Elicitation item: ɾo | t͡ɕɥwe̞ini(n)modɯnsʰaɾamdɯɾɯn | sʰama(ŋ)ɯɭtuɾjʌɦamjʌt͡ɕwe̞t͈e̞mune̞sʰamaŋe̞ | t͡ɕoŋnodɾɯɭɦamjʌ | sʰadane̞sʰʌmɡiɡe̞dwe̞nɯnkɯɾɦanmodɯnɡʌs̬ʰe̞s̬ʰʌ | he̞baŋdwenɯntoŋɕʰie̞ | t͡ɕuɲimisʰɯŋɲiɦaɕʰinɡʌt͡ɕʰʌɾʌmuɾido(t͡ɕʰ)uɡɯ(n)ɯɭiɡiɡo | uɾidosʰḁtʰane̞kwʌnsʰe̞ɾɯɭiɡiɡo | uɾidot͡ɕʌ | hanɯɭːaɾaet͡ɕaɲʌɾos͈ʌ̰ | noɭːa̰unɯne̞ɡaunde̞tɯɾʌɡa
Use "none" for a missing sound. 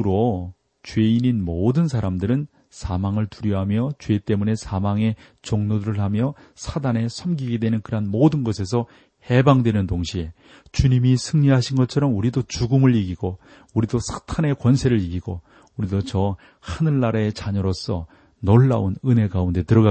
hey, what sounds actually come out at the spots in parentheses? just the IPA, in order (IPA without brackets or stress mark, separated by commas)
n, ŋ, t͡ɕ, m